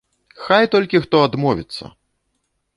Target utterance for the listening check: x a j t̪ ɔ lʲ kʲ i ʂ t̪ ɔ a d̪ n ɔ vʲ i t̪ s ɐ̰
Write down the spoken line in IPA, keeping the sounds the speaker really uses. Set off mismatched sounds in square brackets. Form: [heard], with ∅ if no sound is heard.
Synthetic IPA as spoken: x a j t̪ ɔ lʲ kʲ i [x] t̪ ɔ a d̪ [m] ɔ vʲ i t̪ [sː] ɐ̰